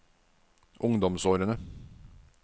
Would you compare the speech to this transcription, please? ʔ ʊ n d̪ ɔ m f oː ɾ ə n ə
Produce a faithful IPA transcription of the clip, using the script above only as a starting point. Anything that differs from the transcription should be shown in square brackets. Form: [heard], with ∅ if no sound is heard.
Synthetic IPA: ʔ ʊ [ŋ] d̪ ɔ m [s] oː ɾ ə n ə